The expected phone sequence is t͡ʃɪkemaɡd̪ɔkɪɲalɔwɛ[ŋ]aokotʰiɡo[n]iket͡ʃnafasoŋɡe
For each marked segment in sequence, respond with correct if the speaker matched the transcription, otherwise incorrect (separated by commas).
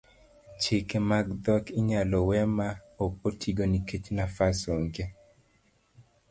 incorrect, correct